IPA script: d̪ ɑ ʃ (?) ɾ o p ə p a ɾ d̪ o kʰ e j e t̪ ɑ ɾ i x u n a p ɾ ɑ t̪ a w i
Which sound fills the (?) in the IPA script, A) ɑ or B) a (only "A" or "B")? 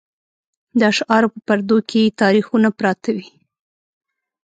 A